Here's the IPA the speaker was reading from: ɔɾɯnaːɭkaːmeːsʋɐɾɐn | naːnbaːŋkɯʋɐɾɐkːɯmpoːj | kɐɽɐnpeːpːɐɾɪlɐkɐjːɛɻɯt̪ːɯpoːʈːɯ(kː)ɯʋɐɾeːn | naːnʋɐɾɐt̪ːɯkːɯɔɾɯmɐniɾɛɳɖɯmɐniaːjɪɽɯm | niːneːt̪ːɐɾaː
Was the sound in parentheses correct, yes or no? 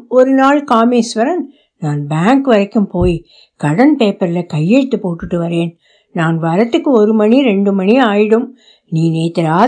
no